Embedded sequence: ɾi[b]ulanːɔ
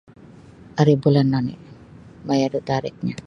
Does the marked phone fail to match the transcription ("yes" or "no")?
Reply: no